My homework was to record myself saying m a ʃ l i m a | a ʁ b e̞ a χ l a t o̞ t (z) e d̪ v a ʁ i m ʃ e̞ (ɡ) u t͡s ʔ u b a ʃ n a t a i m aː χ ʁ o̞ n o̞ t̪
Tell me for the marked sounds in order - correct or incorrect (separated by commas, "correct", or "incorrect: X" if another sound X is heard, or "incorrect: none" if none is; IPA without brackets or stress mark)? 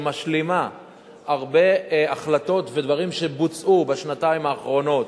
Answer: incorrect: v, incorrect: b